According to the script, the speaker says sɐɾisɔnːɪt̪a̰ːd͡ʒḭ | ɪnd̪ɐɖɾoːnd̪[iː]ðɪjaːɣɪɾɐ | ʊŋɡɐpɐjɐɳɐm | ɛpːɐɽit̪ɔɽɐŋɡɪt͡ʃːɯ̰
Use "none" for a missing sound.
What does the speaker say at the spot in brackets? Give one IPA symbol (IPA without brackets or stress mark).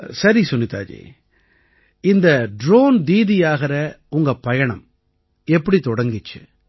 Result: iː